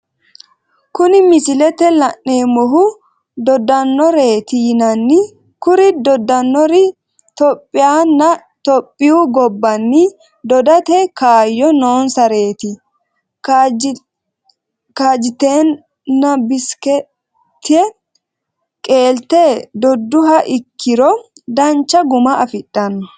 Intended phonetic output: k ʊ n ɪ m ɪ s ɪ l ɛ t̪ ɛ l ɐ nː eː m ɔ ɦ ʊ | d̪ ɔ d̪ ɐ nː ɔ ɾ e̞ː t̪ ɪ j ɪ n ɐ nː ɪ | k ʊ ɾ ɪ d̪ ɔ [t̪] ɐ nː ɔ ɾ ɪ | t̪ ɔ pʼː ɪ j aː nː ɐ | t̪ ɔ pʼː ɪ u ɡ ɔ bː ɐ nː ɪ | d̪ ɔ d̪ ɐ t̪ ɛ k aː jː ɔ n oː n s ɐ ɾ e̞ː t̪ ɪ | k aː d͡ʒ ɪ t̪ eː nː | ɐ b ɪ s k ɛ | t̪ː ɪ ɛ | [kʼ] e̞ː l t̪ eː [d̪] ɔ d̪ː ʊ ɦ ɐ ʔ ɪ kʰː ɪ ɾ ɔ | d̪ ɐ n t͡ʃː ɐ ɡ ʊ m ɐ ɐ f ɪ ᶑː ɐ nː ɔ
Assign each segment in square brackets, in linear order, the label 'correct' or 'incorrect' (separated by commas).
incorrect, correct, correct